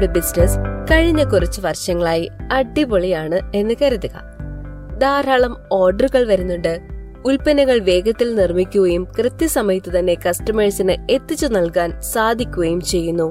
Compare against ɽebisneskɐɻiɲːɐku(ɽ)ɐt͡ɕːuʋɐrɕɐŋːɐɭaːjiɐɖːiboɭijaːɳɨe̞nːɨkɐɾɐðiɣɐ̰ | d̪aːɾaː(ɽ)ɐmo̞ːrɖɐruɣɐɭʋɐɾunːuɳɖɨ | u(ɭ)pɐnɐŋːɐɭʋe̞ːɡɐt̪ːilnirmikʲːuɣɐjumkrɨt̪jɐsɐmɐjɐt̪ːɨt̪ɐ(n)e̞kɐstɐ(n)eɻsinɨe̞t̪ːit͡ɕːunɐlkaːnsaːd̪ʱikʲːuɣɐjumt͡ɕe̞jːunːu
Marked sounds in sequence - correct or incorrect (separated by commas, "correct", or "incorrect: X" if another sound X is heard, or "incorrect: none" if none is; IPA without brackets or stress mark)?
incorrect: r, incorrect: ɭ, incorrect: l, incorrect: nː, incorrect: m